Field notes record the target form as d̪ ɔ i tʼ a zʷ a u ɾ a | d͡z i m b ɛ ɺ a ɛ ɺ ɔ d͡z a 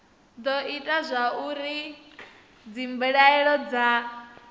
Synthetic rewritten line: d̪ ɔ i tʼ a zʷ a u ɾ i | d͡z i m b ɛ ɺ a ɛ ɺ ɔ d͡z a